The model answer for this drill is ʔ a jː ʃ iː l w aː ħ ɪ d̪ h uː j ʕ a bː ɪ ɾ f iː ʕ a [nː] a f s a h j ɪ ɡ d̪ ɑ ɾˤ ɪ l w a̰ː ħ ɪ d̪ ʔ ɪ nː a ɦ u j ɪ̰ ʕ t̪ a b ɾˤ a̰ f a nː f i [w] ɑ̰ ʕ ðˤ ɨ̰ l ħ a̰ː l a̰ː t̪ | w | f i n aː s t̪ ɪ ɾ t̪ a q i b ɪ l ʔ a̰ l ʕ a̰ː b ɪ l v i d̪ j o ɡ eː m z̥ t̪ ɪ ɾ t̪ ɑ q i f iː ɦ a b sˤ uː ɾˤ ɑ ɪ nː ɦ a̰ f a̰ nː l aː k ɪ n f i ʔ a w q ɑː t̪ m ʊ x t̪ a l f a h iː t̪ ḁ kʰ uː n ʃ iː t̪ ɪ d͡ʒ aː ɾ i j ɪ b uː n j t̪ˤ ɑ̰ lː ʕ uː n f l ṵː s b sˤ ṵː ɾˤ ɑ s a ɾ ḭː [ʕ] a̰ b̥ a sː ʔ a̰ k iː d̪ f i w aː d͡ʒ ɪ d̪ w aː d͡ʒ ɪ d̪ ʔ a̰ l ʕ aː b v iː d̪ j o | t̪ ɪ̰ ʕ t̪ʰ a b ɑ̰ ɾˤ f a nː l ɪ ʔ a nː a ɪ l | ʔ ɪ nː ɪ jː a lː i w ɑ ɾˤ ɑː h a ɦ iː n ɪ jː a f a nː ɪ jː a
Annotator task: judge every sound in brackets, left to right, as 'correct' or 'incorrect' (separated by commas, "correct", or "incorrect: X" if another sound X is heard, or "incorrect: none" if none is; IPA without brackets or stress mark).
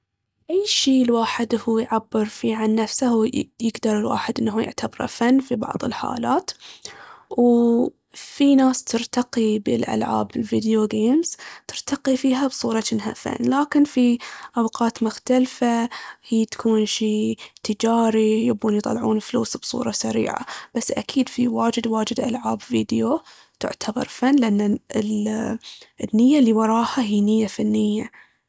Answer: correct, incorrect: b, correct